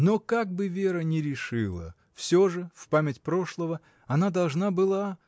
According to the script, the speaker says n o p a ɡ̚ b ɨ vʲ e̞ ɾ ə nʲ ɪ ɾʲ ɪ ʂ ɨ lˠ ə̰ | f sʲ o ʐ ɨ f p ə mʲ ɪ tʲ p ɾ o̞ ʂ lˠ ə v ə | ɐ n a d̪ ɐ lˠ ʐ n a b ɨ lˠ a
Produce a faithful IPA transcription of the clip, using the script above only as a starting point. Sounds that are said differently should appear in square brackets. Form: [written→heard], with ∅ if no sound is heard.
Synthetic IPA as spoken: n o [p→k] a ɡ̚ b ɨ vʲ e̞ ɾ ə nʲ ɪ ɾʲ ɪ ʂ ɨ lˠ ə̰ | f sʲ o ʐ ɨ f p [ə→a] mʲ ɪ tʲ p ɾ o̞ ʂ lˠ ə v ə | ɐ n a d̪ ɐ lˠ ʐ n a b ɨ lˠ a